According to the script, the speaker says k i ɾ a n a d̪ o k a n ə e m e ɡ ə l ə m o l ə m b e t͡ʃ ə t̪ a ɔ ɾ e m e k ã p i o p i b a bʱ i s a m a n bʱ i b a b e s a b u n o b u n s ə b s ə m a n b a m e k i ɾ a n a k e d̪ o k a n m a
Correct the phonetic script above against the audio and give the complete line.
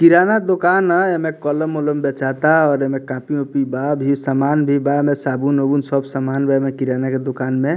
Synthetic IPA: k i ɾ a n a d̪ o k a n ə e m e k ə l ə m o l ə m b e t͡ʃ a t̪ a ɔ ɾ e m e k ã p i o p i b a bʱ i s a m a n bʱ i b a m e s a b u n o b u n s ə b s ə m a n b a m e k i ɾ a n a k e d̪ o k a n m e